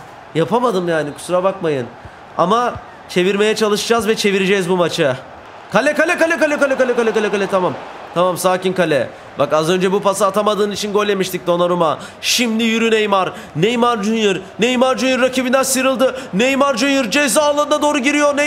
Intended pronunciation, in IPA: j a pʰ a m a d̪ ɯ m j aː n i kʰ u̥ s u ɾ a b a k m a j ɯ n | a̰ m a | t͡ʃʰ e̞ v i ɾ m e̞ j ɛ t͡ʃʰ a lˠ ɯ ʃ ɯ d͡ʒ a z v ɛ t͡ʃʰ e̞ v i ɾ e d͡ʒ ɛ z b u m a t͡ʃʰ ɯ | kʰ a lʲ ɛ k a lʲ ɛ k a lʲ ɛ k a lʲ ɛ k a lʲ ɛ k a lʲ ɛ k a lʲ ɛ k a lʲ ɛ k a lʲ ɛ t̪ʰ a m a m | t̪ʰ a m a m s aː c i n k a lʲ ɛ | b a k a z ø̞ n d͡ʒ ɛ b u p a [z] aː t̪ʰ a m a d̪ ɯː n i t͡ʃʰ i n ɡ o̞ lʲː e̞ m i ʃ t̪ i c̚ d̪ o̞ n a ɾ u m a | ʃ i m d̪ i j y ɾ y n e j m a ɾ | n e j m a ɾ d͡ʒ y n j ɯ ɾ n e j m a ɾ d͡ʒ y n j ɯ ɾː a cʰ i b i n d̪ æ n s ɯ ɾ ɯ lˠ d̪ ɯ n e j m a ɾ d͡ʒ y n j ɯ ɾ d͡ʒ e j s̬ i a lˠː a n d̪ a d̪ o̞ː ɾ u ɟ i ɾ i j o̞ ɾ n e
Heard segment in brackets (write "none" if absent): s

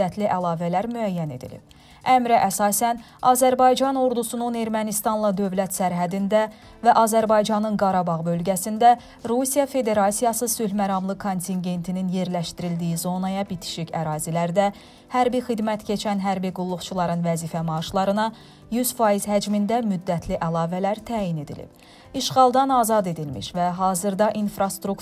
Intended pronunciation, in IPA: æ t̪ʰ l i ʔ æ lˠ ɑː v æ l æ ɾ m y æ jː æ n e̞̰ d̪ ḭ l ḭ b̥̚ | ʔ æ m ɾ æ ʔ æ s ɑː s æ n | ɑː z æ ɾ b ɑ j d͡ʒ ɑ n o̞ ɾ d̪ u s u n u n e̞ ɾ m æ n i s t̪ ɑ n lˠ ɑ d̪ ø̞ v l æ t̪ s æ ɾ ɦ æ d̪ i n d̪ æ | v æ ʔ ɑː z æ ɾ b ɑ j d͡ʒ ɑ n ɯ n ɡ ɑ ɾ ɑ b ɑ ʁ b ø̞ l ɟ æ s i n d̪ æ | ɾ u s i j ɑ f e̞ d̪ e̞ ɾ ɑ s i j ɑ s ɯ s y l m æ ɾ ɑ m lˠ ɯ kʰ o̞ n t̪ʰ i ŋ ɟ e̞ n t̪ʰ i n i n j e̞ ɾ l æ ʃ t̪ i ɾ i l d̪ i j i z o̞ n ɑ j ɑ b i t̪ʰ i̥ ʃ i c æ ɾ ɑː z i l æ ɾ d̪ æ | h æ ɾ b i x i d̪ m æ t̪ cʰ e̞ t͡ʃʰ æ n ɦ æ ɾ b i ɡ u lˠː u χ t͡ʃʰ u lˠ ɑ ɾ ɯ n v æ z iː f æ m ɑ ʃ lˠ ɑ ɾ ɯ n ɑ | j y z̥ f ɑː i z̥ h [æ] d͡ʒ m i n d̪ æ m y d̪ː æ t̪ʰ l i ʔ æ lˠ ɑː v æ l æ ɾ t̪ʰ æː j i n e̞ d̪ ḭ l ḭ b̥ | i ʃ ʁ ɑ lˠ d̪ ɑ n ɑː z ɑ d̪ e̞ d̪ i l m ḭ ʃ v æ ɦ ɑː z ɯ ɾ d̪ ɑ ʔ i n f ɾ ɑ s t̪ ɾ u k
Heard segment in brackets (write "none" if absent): æ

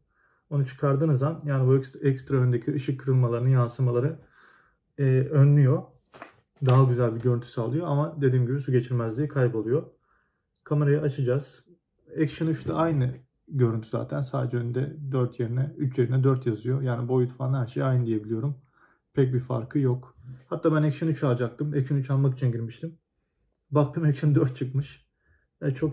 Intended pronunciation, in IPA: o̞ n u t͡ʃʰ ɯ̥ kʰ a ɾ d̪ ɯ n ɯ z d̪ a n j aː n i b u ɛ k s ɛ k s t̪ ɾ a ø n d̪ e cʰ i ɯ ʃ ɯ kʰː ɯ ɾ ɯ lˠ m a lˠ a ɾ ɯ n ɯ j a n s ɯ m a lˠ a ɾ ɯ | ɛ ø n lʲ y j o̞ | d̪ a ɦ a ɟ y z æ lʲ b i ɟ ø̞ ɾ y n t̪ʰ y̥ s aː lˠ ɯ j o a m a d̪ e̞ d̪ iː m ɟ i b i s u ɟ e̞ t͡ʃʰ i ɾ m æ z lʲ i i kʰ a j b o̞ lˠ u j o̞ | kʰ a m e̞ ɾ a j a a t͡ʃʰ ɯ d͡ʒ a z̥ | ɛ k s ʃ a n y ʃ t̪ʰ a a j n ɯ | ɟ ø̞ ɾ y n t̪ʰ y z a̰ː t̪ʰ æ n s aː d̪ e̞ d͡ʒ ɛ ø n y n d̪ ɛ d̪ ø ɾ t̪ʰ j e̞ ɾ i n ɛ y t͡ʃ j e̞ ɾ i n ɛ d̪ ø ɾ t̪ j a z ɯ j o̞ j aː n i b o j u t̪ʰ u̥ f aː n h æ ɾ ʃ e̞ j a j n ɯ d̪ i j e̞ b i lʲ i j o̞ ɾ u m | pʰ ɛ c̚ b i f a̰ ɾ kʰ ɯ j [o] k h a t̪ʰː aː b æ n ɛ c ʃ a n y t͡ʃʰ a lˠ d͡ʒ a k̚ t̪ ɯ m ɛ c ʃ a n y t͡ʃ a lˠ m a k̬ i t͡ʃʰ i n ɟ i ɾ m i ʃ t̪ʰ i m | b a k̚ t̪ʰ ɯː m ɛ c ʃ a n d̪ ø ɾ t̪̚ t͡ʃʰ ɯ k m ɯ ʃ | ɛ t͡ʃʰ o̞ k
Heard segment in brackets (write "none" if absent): o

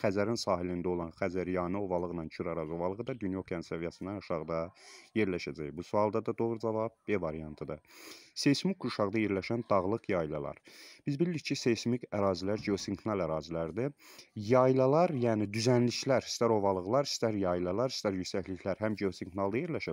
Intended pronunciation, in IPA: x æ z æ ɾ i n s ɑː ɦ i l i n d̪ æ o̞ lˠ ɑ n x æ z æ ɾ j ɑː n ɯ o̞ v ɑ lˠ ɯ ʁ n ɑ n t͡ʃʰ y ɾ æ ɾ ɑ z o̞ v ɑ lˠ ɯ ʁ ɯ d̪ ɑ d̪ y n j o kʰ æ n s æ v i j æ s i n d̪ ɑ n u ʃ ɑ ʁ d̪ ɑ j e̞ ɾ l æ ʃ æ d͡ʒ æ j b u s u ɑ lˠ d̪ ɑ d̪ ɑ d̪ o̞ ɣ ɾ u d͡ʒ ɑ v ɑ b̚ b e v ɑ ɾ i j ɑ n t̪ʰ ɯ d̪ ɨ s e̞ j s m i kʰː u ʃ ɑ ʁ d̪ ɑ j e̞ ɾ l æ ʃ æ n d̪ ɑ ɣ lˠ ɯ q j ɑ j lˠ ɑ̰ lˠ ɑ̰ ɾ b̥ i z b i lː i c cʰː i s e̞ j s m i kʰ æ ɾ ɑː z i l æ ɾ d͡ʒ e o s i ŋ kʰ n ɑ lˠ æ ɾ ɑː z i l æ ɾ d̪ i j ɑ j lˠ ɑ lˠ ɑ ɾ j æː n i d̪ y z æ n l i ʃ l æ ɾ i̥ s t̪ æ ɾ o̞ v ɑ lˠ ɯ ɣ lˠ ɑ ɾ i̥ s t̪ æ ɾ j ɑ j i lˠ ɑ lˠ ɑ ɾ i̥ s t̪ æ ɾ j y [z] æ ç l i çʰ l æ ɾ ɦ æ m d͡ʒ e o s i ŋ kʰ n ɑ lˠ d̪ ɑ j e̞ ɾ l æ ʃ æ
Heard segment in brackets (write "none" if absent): s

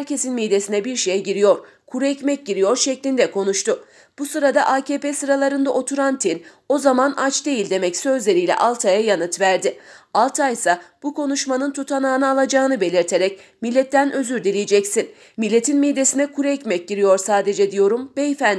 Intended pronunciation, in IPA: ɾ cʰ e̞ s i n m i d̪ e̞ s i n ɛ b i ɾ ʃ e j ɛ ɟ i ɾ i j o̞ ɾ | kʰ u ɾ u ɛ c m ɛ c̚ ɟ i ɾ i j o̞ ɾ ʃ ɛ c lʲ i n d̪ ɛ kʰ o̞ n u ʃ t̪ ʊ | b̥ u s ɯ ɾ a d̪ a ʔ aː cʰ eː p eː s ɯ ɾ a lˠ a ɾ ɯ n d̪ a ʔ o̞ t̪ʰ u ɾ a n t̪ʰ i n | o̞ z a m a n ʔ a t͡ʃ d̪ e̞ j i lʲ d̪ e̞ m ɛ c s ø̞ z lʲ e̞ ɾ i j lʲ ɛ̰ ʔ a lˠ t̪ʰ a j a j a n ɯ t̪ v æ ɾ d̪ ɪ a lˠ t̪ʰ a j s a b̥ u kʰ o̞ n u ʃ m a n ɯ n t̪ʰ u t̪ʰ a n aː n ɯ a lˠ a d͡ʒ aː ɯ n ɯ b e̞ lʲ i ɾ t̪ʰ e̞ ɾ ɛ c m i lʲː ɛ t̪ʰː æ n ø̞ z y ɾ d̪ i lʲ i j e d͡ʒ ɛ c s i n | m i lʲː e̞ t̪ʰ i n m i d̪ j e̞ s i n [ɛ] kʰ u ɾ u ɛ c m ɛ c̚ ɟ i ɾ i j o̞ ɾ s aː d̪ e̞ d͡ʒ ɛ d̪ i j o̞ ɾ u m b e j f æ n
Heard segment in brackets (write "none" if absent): ɛ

